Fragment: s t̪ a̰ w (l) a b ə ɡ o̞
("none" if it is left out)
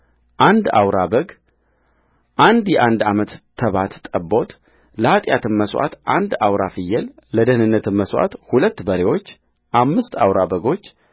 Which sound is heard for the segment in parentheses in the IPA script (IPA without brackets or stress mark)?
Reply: ɾ